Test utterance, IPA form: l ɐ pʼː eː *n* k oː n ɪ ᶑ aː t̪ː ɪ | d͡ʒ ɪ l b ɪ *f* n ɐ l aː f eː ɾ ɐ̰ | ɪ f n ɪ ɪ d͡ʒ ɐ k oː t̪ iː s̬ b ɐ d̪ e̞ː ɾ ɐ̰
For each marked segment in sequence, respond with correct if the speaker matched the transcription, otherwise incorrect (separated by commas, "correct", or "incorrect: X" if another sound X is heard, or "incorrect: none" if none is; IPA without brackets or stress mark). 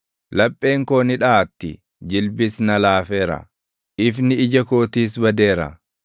incorrect: ŋ, incorrect: s